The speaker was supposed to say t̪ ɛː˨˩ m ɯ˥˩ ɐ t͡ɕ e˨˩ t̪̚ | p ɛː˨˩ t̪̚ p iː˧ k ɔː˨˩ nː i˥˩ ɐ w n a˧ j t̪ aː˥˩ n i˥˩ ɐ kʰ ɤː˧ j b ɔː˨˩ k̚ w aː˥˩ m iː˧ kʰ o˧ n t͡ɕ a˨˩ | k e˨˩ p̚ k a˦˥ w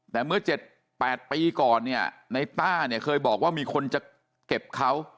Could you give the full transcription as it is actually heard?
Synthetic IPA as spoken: t̪ ɛː˨˩ m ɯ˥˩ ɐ t͡ɕ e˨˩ t̪̚ | p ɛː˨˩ t̪̚ p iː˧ k ɔː˨˩ nː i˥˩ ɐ n a˧ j t̪ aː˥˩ n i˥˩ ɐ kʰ ɤː˧ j b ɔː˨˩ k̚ w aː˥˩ m iː˧ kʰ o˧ n t͡ɕ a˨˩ | k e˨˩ p̚ kʰ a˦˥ w